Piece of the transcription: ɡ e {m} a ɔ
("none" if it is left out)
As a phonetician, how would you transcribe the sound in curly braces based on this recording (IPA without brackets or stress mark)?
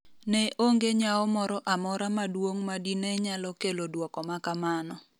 ɲ